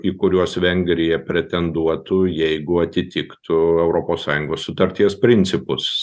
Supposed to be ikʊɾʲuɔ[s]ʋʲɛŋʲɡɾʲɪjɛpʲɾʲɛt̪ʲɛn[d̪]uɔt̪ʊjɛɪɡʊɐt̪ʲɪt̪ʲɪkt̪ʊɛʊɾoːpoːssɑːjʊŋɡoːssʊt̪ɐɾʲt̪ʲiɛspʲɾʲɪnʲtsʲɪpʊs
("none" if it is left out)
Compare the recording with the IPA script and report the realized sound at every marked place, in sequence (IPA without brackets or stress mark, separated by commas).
s, d̪